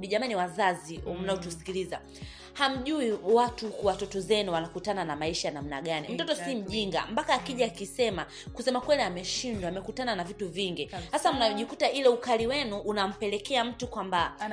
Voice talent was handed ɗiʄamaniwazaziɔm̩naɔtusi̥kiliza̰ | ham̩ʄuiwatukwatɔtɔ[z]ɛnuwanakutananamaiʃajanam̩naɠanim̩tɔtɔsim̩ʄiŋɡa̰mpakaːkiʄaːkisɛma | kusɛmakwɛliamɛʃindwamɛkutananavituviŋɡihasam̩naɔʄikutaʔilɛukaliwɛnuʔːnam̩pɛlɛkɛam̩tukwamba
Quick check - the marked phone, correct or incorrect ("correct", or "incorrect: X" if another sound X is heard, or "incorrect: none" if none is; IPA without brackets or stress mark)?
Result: correct